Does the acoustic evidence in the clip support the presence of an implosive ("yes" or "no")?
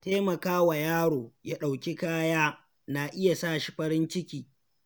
yes